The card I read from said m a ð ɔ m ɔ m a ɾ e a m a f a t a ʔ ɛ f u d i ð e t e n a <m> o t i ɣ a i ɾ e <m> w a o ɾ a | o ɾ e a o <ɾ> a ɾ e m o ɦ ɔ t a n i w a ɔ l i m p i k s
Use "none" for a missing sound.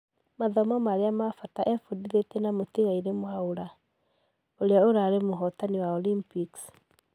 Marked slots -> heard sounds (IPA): m, m, ɾ

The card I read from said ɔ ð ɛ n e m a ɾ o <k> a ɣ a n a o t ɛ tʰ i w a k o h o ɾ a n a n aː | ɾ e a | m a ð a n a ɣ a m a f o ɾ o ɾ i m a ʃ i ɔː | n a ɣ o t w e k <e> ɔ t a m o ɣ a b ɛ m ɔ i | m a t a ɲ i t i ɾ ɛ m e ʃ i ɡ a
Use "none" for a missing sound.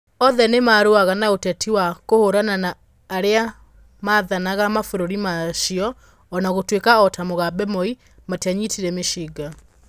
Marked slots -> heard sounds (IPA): none, a

